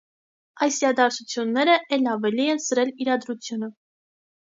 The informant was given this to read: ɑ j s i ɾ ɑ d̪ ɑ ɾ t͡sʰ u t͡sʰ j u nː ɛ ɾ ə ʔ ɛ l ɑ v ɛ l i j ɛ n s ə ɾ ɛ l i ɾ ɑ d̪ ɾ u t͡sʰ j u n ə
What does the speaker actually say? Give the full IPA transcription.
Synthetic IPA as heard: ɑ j s i ɾ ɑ d̪ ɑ ɾ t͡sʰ u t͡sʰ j u nː ɛ ɾ ə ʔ ɛ l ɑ v ɛ l i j ɛ n s ə ɾ ɛ l i ɾ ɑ d̪ ɾ u t͡sʰ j u n ə